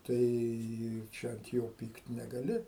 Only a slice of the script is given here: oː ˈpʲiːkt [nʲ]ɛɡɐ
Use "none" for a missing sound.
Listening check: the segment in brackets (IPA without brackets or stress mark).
nʲ